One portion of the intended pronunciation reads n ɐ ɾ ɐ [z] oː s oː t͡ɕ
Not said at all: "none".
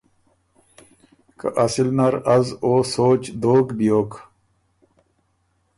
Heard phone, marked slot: z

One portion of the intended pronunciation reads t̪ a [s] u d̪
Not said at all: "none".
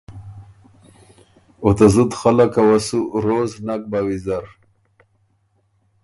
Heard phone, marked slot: z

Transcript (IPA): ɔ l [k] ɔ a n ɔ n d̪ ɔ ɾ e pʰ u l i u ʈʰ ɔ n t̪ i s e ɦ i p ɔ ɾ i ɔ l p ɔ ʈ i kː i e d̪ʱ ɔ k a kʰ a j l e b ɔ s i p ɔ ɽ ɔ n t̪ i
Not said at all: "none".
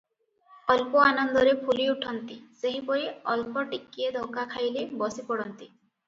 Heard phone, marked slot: p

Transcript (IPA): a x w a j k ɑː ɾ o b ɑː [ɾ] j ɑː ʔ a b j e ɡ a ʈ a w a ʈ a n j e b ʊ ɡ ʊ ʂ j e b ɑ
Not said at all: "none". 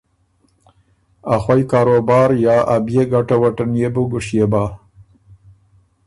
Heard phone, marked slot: ɾ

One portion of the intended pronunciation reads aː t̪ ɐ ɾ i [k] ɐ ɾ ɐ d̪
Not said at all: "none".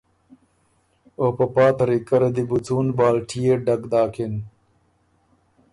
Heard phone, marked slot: k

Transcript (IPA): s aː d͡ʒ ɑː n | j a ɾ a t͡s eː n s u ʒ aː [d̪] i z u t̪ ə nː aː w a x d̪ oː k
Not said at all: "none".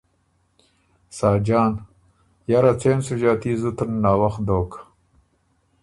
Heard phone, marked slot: t̪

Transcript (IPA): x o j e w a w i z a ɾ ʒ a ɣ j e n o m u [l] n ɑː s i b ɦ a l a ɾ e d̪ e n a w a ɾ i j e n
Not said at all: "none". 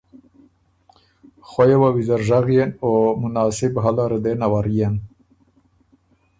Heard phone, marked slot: none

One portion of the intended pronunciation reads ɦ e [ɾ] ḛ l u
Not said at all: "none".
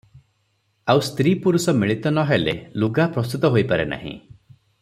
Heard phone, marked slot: l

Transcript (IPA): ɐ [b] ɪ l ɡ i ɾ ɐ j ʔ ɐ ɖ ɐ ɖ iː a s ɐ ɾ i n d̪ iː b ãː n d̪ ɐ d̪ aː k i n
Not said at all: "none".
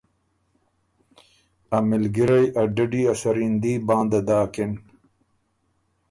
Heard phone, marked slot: m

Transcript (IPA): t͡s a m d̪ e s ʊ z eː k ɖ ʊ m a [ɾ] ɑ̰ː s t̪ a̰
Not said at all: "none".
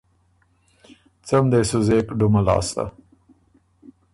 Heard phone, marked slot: l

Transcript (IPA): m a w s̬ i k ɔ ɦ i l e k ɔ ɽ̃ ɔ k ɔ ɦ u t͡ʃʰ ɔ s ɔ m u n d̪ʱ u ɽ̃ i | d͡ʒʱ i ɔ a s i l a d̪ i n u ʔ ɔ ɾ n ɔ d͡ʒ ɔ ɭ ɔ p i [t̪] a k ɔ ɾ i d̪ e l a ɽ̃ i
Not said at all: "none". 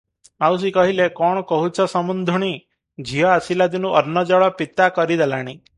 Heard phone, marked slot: t̪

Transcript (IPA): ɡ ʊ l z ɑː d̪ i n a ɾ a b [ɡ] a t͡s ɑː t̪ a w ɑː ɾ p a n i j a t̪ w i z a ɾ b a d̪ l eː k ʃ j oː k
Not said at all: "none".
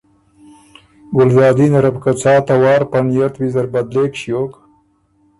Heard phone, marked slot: k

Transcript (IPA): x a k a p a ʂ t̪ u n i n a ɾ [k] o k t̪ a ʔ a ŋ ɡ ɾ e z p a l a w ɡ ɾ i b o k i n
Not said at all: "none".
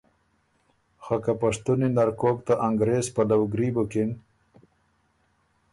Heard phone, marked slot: k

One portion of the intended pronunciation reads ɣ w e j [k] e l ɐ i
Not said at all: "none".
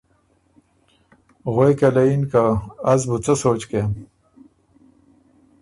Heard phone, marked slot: k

